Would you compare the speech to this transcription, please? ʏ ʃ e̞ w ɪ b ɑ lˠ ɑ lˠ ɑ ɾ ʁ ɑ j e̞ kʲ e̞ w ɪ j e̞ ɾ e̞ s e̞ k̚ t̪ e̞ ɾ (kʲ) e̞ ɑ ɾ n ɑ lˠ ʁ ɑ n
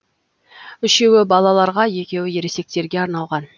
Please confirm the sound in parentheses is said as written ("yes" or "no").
no